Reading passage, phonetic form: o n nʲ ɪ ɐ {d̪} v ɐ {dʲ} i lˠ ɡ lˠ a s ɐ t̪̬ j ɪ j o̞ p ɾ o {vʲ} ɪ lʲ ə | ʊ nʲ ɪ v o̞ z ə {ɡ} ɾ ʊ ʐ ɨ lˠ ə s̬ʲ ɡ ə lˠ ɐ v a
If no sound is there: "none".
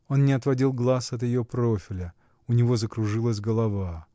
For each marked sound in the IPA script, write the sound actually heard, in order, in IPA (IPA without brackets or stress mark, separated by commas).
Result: t̪, dʲ, fʲ, k